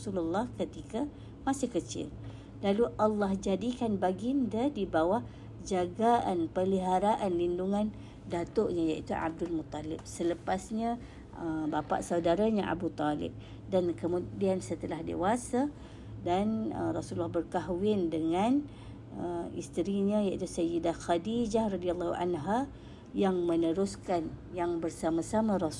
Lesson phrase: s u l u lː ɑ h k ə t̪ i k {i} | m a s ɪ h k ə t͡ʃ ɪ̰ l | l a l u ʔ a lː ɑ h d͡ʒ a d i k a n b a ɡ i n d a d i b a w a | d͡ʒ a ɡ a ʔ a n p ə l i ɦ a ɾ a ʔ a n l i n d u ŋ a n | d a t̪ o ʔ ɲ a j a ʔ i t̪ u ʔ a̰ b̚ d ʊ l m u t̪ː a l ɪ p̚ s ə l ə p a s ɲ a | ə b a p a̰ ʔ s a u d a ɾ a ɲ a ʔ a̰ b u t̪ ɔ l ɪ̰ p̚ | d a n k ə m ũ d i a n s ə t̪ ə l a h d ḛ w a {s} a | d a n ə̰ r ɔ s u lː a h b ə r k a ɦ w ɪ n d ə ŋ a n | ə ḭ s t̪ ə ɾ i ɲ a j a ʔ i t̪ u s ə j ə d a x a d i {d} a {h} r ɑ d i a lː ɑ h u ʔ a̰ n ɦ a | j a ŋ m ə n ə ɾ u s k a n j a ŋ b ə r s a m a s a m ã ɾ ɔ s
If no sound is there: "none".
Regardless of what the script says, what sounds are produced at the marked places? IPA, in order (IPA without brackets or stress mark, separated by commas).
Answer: a, s, d͡ʒ, h